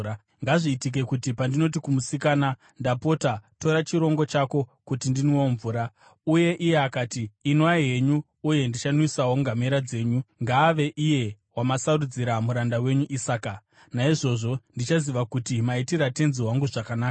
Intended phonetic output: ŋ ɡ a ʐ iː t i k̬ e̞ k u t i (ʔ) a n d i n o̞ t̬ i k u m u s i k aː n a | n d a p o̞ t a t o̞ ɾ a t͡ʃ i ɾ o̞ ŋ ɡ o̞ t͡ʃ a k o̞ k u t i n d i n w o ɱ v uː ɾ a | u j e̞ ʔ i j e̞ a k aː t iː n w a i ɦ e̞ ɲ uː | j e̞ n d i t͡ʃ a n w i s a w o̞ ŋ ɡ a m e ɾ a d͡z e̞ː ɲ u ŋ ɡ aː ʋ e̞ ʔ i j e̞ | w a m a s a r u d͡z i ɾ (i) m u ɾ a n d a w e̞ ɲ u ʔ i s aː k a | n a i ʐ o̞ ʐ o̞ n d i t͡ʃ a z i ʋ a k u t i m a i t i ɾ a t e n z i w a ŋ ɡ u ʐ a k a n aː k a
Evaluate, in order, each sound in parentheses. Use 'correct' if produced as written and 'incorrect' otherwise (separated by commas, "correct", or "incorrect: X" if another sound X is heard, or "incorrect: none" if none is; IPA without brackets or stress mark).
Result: incorrect: p, incorrect: a